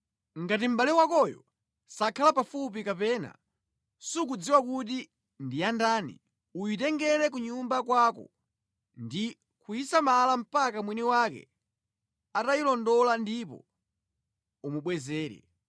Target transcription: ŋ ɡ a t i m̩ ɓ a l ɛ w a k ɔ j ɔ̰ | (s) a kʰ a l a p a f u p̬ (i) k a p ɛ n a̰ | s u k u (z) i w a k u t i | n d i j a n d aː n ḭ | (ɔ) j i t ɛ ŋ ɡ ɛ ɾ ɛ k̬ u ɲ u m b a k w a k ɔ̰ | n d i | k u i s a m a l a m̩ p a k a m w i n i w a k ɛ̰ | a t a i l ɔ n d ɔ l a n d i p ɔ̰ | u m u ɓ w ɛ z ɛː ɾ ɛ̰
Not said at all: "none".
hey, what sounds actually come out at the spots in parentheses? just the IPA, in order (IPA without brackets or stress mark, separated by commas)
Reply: s, i, d͡z, u